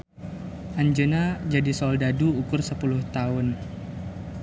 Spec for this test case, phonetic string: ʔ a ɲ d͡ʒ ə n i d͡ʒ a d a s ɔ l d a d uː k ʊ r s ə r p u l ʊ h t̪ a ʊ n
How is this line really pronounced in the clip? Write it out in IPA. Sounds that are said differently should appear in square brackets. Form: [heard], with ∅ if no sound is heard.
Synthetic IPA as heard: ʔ a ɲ d͡ʒ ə n [a] d͡ʒ a d [i] s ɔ l d a d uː k ʊ r s ə [∅] p u l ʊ h t̪ a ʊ n